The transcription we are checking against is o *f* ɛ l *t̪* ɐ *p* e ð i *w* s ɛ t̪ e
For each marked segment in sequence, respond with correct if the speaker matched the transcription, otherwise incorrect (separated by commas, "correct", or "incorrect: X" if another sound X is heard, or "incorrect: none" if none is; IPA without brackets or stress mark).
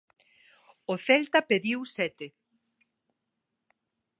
incorrect: θ, correct, correct, correct